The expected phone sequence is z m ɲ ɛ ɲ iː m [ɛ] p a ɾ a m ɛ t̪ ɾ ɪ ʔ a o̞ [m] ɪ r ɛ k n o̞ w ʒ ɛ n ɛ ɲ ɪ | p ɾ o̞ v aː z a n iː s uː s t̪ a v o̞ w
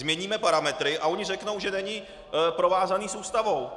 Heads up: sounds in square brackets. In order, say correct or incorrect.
correct, incorrect

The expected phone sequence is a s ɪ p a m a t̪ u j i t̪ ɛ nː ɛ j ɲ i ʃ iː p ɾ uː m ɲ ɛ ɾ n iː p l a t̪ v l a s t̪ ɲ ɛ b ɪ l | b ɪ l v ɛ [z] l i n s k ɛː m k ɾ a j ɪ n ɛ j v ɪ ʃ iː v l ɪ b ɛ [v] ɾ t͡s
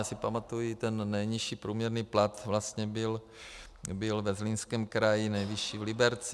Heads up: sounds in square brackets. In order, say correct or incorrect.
correct, incorrect

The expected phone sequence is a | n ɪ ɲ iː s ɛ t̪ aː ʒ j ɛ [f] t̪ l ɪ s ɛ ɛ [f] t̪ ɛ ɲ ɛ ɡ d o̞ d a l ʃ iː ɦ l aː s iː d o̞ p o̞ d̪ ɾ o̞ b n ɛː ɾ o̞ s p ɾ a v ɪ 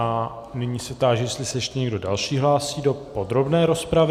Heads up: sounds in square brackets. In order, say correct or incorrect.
incorrect, incorrect

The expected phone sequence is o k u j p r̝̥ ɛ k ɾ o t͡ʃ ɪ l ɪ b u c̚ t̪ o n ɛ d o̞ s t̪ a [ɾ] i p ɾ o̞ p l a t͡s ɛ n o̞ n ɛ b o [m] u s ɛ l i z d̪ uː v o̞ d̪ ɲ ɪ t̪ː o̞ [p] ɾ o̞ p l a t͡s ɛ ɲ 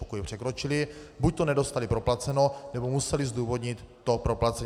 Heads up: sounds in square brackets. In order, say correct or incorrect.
incorrect, correct, correct

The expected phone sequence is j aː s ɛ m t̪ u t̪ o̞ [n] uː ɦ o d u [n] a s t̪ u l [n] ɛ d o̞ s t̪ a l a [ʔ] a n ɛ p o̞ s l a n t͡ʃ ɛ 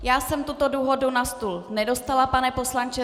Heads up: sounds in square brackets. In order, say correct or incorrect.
incorrect, correct, correct, incorrect

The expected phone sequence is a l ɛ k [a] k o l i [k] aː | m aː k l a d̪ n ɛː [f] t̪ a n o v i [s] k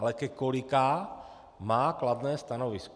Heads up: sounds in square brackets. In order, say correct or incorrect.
incorrect, correct, incorrect, correct

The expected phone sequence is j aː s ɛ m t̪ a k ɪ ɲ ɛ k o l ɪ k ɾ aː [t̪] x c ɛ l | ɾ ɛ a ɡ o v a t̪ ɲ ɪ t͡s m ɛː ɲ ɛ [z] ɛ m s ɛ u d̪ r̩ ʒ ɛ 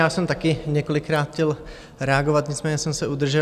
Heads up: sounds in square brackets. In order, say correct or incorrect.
correct, incorrect

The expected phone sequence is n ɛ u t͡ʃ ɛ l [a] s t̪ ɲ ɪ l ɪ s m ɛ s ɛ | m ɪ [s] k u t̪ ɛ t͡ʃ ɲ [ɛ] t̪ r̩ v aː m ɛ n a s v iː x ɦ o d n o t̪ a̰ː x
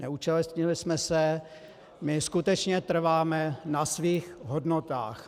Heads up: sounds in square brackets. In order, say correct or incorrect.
incorrect, correct, correct

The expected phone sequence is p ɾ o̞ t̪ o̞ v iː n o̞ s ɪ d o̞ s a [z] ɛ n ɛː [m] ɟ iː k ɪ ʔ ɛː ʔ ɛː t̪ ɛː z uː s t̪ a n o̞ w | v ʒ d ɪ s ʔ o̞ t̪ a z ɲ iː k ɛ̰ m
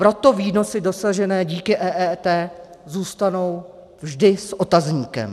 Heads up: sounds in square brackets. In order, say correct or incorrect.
incorrect, incorrect

